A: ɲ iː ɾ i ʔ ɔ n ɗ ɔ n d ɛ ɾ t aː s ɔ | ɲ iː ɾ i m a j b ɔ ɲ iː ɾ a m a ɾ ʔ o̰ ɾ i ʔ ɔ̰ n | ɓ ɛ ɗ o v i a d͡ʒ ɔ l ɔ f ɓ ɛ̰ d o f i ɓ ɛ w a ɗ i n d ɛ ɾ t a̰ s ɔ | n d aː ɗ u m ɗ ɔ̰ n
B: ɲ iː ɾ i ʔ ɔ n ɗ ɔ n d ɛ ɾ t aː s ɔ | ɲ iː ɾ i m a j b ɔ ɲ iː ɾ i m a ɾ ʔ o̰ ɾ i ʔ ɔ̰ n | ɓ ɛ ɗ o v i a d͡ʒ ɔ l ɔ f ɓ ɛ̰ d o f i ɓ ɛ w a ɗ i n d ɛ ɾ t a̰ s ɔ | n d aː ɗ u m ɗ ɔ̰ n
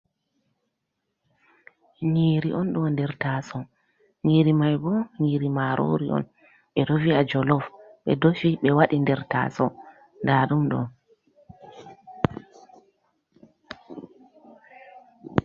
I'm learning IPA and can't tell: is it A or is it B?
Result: B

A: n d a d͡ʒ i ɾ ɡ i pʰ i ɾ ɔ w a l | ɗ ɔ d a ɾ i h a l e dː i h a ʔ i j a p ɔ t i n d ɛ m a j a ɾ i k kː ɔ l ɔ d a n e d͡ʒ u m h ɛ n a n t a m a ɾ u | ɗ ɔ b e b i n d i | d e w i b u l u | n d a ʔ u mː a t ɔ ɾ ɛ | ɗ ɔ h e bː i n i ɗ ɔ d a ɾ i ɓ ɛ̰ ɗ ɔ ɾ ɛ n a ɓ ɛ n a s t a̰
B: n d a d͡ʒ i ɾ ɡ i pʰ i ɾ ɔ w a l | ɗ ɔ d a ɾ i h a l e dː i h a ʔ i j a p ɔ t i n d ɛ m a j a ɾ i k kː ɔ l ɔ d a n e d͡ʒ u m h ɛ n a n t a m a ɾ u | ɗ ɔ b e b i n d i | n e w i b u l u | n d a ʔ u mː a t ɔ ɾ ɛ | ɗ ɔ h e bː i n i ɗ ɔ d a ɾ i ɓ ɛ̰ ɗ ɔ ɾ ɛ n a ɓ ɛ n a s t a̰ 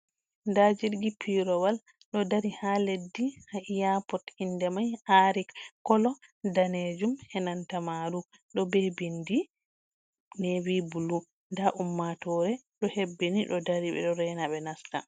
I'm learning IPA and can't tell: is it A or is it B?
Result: B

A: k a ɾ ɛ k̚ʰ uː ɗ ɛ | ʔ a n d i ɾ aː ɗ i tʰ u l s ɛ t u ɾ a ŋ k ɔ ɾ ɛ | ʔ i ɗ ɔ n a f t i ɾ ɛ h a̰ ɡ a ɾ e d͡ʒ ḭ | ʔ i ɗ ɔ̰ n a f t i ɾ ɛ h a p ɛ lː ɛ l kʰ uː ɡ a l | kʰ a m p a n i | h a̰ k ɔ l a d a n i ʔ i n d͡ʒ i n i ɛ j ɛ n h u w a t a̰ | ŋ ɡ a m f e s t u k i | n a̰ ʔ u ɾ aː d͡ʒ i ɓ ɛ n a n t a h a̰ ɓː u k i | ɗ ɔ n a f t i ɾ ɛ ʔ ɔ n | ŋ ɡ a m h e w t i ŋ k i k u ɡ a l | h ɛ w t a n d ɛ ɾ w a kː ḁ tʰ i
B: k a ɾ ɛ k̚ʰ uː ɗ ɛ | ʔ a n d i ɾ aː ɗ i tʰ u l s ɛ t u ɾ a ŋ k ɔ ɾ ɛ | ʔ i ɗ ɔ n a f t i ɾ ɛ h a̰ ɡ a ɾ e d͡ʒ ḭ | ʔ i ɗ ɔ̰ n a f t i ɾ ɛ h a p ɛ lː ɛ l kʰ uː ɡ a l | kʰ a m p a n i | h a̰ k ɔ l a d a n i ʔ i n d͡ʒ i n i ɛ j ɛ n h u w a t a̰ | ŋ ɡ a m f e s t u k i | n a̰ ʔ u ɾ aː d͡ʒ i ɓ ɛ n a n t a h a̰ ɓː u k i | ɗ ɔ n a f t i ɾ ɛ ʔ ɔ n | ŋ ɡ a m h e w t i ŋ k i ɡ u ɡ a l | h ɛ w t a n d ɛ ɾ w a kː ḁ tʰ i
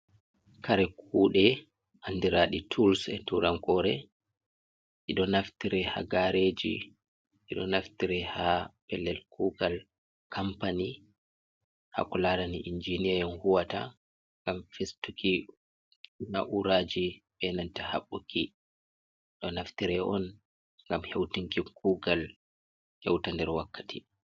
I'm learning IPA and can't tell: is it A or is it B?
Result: A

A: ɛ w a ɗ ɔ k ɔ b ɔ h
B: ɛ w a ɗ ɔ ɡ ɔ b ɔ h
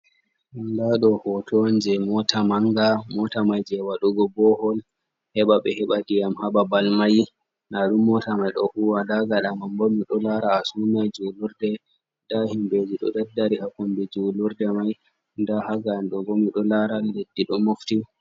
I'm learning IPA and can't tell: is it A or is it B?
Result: B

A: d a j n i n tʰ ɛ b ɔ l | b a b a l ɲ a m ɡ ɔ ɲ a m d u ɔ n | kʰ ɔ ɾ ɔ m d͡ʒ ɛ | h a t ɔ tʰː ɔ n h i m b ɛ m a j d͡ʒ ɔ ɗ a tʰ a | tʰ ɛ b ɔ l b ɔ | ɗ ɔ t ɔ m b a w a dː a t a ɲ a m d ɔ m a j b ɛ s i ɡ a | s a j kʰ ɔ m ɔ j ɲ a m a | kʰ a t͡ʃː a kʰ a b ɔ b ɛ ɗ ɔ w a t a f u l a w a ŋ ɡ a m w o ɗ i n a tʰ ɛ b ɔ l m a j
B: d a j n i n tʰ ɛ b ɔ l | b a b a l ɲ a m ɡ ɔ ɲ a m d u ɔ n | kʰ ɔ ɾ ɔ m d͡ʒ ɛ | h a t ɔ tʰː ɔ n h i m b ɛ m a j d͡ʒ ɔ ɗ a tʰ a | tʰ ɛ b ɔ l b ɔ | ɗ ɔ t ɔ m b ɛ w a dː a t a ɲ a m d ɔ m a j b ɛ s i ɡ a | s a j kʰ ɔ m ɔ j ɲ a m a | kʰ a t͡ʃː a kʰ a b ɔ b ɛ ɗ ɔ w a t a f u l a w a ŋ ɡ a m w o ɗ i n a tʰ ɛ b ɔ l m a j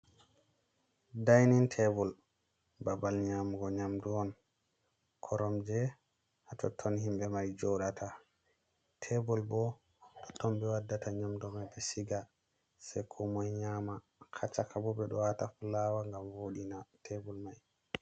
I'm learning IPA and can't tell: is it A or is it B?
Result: B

